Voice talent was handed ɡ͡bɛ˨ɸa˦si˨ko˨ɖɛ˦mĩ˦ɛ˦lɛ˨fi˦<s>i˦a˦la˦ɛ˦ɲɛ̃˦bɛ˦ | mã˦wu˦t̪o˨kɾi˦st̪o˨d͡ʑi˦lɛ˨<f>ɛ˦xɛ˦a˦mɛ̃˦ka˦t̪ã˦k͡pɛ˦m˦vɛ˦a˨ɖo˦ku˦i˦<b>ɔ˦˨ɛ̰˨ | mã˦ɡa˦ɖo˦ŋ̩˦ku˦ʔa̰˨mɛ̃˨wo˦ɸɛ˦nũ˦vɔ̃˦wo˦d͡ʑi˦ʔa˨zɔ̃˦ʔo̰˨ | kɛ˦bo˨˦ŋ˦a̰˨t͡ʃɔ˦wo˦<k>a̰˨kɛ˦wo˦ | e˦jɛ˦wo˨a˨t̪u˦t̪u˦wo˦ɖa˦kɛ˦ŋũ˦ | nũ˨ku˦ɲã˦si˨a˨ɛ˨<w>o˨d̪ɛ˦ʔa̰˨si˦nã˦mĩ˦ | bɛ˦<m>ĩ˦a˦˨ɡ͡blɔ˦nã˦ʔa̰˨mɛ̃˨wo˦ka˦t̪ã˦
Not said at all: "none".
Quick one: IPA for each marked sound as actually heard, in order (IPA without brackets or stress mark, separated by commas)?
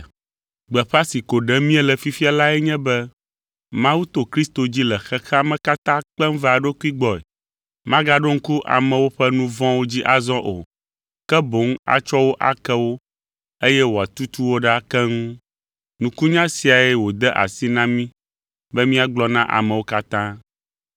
f, x, ɡ͡b, ʔ, w, m